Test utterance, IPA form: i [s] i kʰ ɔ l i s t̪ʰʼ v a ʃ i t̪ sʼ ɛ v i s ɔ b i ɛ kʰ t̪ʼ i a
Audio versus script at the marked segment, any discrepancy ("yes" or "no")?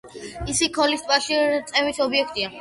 no